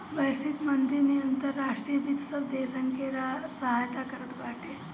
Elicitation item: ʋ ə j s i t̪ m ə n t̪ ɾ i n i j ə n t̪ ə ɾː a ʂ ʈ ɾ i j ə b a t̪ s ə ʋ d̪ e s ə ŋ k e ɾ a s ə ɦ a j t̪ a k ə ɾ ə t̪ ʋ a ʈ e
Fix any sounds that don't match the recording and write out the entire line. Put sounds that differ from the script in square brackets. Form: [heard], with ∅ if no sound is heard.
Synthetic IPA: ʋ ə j s i t̪ m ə n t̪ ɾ i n i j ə n t̪ ə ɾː a ʂ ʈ ɾ i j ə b [i] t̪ s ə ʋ d̪ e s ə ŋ k e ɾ a s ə ɦ a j t̪ a k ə ɾ ə t̪ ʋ a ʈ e